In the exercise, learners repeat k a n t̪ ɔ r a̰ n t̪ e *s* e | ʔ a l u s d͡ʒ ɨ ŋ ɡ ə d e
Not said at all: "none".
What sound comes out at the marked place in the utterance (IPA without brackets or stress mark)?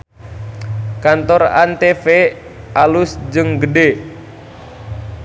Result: f